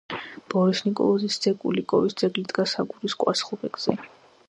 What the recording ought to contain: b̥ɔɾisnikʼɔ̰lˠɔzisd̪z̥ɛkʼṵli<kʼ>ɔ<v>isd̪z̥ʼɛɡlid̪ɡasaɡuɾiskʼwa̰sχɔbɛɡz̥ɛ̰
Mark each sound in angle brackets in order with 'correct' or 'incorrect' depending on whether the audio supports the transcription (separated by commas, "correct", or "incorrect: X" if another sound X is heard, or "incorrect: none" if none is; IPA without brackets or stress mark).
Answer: correct, correct